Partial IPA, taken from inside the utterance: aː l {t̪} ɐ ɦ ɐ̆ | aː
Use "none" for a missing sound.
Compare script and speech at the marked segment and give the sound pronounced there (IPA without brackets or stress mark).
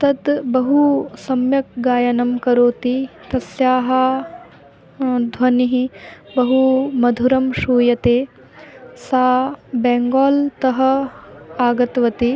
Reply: t̪